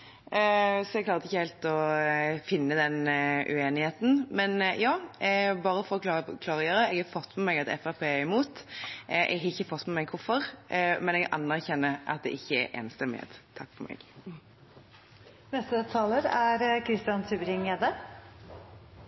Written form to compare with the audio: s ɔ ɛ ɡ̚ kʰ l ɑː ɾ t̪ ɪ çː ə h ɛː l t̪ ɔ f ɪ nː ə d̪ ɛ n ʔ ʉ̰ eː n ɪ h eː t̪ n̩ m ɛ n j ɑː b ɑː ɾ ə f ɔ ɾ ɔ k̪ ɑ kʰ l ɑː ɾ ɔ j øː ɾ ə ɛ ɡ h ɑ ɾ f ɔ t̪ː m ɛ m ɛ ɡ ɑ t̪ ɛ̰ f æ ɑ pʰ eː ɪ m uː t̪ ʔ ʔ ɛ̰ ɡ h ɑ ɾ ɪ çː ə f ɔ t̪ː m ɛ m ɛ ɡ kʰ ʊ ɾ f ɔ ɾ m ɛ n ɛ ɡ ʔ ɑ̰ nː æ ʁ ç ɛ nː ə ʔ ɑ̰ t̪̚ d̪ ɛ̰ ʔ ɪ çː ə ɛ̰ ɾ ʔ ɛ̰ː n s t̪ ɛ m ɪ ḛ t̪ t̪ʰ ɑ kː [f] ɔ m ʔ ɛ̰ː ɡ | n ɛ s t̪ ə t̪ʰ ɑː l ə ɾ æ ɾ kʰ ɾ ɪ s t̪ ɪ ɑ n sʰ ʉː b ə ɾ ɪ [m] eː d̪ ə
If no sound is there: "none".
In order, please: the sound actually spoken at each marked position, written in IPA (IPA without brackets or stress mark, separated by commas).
f, ŋ